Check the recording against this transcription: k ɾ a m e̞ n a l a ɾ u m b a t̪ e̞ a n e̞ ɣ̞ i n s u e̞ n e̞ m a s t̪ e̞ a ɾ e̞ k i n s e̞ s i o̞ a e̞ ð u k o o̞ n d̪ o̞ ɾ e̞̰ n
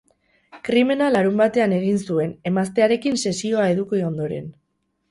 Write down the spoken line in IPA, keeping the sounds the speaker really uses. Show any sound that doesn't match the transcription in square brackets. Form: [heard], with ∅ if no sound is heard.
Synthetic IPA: k ɾ [i] m e̞ n a l a ɾ u m b a t̪ e̞ a n e̞ ɣ̞ i n s u e̞ n e̞ m a s t̪ e̞ a ɾ e̞ k i n s e̞ s i o̞ a e̞ ð u k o o̞ n d̪ o̞ ɾ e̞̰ n